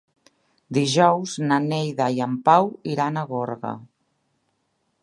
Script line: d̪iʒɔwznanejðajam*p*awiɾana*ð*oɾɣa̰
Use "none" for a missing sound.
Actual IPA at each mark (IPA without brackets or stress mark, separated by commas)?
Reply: p, ɣ